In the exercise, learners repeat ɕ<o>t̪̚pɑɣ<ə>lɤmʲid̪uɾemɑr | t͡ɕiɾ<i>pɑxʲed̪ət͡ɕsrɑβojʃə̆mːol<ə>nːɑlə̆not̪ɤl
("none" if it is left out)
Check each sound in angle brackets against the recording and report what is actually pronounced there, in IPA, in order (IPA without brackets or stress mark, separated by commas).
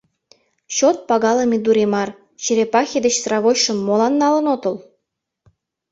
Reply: o, ɑ, e, ɑ